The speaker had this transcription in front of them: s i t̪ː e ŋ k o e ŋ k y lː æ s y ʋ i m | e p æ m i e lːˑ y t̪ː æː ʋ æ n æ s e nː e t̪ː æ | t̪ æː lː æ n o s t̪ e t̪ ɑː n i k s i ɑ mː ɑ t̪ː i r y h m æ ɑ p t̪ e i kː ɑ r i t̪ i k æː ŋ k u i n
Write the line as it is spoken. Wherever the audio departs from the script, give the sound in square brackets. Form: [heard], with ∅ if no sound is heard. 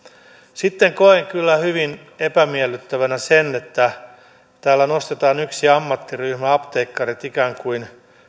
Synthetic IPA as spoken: s i t̪ː e ŋ k o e ŋ k y lː æ [h] y ʋ i [n] | e p æ m i e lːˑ y t̪ː [æ] ʋ æ n æ s e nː e t̪ː æ | t̪ æː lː æ n o s t̪ e t̪ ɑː n [y] k s i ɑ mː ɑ t̪ː i r y h m æ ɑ p t̪ e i kː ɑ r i t̪ i k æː ŋ k u i n

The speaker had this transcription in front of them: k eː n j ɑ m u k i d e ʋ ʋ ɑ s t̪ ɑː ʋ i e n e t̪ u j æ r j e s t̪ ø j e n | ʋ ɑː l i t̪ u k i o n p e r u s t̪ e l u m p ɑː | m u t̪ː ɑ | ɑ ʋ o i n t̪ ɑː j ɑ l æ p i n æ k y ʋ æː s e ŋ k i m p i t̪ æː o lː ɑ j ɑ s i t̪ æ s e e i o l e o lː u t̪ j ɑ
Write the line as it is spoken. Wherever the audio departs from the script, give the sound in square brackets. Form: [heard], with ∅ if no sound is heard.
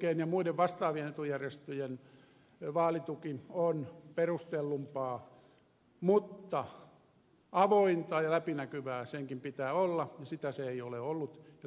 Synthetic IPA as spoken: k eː n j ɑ m u [∅] i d e ʋ ʋ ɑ s t̪ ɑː ʋ i e n e t̪ u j æ r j e s t̪ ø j e n | ʋ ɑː l i t̪ u k i o n p e r u s t̪ e [lː] u m p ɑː | m u t̪ː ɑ | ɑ ʋ o i n t̪ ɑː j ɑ l æ p i n æ k y ʋ æː s e ŋ k i m p i t̪ æː o lː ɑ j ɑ s i t̪ æ s e e i o l e o lː u t̪ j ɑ

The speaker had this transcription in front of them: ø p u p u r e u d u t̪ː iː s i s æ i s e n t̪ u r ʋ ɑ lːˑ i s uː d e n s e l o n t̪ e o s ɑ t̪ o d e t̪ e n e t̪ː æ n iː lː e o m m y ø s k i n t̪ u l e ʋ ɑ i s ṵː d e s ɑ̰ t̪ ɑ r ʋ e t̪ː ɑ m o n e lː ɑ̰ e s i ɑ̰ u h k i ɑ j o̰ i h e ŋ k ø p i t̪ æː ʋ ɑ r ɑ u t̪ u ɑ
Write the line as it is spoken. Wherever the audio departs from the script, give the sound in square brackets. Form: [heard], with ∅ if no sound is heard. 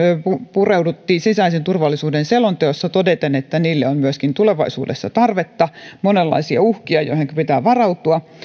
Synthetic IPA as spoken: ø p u p u r e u d u t̪ː iː s i s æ i s e n t̪ u r ʋ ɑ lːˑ i s uː d e n s e l o n t̪ e o [sː] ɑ t̪ o d e t̪ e n e t̪ː æ n iː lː e o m m y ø s k i n t̪ u l e ʋ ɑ i s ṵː d e [sː] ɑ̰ t̪ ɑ r ʋ e t̪ː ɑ m o n e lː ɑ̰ [i] s i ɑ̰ u h k i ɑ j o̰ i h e ŋ k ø p i t̪ æː ʋ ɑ r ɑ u t̪ u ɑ

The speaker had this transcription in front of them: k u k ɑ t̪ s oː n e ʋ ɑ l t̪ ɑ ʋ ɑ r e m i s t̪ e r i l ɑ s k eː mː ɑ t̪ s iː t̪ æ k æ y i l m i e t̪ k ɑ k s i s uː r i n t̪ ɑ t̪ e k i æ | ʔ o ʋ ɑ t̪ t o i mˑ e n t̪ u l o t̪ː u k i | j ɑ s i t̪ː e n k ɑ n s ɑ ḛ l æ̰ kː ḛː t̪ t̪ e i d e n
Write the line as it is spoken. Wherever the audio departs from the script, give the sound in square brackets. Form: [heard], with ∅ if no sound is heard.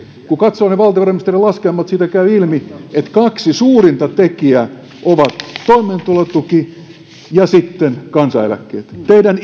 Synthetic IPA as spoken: k u k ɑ t̪ s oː n e ʋ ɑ l t̪ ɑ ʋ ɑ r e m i s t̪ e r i l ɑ s k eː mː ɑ t̪ s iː t̪ æ k æ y i l m i e t̪ k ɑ k s i s uː r i n t̪ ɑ t̪ e k i æ | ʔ o ʋ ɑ t̪ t o i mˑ e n t̪ u l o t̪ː u k i | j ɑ s i t̪ː e n k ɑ n s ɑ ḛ l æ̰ kː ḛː t̪ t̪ e i d [æ] n

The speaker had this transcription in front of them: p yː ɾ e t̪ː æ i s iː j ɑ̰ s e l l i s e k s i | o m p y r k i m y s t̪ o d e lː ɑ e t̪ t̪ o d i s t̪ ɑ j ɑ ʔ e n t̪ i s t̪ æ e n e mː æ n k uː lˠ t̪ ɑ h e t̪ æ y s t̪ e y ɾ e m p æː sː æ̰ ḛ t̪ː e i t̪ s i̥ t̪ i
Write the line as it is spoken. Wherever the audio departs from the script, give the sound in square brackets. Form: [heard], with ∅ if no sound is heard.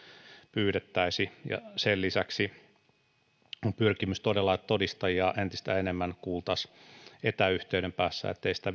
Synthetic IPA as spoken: p yː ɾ e t̪ː æ i s [i] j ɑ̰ s e l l i s [æ] k s i | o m p y r k i m y s t̪ o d e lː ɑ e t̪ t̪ o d i s t̪ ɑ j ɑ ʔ e n t̪ i s t̪ æ e n e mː æ n k uː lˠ t̪ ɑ [s] e t̪ æ y [h] t̪ e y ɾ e m p æː sː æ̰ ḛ t̪ː e i [∅] s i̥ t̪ [æ]

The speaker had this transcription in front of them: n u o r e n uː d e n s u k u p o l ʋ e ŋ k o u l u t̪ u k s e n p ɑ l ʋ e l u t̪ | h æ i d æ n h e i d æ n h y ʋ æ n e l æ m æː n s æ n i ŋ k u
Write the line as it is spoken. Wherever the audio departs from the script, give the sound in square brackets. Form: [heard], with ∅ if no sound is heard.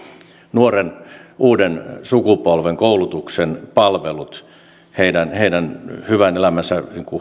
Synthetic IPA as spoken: n u o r e n uː d e n s u k u p o l ʋ e ŋ k o u l u t̪ u k s e n p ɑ l ʋ e l u t̪ | h [e] i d æ n h e i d æ n h y ʋ æ n e l æ m [æ] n s æ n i ŋ k u

